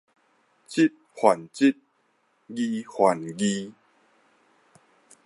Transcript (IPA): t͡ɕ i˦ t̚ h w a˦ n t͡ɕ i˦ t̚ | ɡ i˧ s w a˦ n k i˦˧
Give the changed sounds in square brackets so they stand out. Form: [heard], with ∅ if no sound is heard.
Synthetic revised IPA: t͡ɕ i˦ t̚ h w [a˨˩] n t͡ɕ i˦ t̚ | ɡ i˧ [h] w [a˨˩] n [ɡ] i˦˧